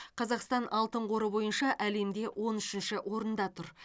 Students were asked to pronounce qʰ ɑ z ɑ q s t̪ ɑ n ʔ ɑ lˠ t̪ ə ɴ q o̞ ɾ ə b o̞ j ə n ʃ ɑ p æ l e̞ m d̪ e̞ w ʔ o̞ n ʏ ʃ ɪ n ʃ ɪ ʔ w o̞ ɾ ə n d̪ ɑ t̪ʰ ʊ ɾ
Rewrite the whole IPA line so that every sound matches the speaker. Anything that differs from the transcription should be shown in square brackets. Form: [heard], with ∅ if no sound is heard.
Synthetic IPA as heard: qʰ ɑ z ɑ q s t̪ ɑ n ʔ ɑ lˠ t̪ ə ɴ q o̞ ɾ ə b o̞ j ə n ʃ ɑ [ʔ] æ l e̞ m d̪ e̞ w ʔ o̞ n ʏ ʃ ɪ n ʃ ɪ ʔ w o̞ ɾ ə n d̪ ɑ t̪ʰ ʊ ɾ